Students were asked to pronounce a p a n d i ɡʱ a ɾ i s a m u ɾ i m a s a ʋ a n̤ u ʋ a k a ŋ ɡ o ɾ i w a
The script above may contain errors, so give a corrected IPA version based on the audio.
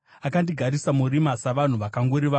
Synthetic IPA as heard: a k a n d i ɡʱ a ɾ i s a m u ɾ i m a s a ʋ a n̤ u ʋ a k a ŋ ɡ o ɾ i ʋ a